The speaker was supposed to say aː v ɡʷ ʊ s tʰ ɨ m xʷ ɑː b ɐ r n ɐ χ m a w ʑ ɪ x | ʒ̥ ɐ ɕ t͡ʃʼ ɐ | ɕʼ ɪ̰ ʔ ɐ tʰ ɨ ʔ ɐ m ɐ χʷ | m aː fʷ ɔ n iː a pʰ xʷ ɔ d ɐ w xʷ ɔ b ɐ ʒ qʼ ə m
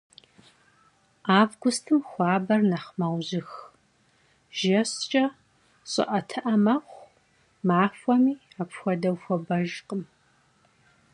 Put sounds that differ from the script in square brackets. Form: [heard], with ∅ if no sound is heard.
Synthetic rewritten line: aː v ɡʷ ʊ s tʰ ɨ m xʷ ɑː b ɐ r n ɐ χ m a w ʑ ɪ x | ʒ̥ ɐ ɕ t͡ʃʼ ɐ | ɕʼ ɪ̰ ʔ ɐ tʰ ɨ ʔ ɐ m ɐ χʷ | m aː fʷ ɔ [m] iː a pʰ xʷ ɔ d ɐ w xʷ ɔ b ɐ ʒ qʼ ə m